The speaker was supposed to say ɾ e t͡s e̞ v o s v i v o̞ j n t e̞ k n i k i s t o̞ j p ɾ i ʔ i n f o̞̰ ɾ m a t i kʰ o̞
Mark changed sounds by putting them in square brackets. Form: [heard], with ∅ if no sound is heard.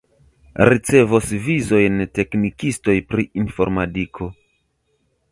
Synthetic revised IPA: ɾ [i] t͡s e̞ v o s v i [z] o̞ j n t e̞ k n i k i s t o̞ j p ɾ i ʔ i n f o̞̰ ɾ m a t i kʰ o̞